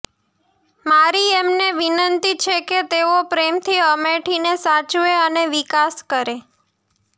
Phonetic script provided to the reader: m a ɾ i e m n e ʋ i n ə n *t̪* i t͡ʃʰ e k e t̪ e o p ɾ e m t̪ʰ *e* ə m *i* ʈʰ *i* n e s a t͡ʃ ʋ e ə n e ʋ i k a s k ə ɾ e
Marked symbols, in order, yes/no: yes, no, no, yes

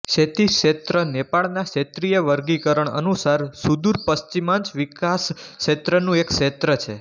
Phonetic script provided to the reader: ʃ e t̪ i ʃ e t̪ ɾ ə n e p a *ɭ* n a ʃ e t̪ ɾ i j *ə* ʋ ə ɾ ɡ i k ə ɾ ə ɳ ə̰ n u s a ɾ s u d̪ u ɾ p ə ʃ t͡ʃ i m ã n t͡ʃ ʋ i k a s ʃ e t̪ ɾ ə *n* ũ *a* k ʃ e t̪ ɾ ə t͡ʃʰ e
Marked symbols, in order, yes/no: yes, yes, yes, no

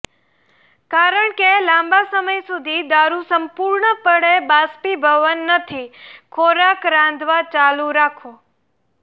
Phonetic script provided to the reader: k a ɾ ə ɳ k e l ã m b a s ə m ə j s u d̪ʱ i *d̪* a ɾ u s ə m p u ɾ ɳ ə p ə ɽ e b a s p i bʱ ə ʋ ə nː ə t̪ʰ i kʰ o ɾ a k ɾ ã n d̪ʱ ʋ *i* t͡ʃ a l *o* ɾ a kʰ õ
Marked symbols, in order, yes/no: yes, no, no

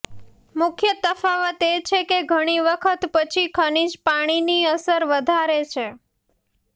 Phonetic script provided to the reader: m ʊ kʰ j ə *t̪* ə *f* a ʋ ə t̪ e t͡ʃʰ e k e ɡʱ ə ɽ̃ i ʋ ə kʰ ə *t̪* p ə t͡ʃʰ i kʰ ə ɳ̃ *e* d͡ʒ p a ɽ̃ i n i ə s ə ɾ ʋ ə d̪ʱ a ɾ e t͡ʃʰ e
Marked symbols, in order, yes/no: yes, yes, yes, no

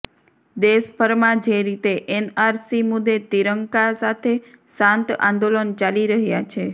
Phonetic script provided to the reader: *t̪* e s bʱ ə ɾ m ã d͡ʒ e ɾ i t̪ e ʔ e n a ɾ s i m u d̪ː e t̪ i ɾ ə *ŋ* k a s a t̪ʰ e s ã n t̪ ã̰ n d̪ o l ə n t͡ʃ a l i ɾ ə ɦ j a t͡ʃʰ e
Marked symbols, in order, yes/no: no, yes

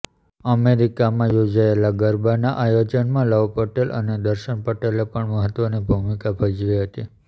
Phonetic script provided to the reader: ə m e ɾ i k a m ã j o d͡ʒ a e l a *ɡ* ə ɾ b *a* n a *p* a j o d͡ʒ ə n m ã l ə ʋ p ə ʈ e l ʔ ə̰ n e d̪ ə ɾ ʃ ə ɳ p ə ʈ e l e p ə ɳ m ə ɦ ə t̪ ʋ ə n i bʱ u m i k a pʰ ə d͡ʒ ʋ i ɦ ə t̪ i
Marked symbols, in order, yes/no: yes, yes, no

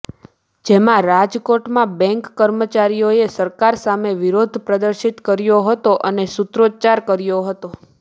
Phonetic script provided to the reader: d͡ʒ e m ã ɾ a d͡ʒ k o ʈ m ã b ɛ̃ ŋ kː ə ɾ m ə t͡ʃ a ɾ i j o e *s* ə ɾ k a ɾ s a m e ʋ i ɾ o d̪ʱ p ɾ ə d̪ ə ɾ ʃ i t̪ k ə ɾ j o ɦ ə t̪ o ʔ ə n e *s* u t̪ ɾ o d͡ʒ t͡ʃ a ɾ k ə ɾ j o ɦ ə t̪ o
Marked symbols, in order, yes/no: yes, yes

